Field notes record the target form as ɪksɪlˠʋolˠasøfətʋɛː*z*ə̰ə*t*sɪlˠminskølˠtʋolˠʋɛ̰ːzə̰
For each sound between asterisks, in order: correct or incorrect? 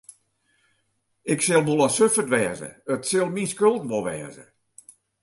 correct, correct

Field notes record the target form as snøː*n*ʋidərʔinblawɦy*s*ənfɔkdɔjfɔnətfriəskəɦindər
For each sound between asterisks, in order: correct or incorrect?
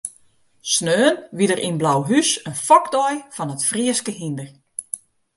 correct, correct

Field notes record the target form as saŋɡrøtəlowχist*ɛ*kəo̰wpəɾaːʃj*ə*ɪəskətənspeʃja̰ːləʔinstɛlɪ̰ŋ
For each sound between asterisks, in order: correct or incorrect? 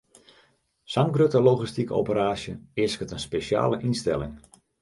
incorrect, correct

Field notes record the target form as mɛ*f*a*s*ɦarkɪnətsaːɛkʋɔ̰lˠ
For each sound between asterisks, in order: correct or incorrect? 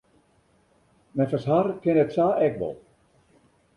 correct, correct

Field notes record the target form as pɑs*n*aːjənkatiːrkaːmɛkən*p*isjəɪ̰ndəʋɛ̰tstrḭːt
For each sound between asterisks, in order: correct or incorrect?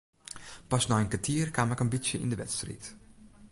correct, incorrect

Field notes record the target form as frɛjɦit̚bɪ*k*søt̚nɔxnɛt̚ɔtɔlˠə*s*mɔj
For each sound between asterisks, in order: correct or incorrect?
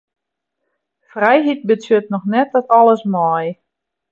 incorrect, correct

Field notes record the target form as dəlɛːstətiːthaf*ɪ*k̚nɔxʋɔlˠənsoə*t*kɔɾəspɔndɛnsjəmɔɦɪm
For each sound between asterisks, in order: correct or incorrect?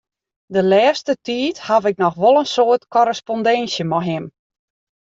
correct, correct

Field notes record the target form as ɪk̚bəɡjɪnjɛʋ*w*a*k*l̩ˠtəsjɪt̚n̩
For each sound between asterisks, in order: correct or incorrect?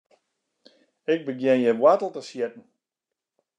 correct, incorrect

